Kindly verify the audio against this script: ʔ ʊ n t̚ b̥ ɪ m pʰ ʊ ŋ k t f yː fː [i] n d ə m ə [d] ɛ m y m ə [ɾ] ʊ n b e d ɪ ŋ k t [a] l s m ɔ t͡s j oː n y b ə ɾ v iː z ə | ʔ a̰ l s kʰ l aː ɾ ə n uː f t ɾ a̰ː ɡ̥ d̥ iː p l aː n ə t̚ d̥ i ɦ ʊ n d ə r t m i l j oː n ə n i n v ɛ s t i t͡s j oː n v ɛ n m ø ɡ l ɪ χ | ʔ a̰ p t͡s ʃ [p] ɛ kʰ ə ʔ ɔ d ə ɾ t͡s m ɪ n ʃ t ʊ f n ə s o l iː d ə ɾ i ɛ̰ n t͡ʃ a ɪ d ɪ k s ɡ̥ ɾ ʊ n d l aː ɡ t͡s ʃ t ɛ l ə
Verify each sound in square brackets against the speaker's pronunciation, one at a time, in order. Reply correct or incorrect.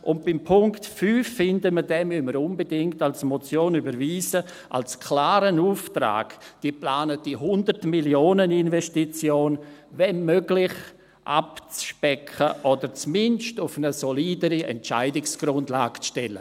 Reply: incorrect, correct, correct, correct, correct

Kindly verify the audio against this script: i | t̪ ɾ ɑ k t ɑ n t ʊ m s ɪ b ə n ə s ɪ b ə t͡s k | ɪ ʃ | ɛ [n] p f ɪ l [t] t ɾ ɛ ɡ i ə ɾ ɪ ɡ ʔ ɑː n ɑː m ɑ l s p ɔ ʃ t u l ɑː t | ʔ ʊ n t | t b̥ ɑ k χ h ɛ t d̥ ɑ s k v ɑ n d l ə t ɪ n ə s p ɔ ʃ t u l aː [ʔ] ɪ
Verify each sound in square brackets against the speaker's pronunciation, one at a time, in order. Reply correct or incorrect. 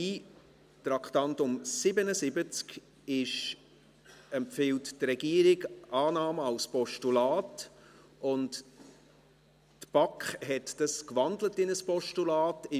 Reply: incorrect, correct, incorrect

